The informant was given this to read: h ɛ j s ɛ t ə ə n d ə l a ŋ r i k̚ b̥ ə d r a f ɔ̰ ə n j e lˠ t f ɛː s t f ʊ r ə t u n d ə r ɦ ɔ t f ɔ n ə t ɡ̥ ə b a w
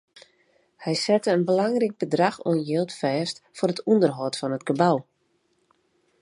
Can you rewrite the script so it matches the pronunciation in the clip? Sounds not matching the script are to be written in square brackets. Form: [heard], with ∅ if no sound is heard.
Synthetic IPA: h ɛ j s ɛ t ə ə n [b] ə l a ŋ r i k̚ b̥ ə d r a [x] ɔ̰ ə n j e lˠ t f ɛː s t f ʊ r ə t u n d ə r ɦ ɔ t f ɔ n ə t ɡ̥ ə b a w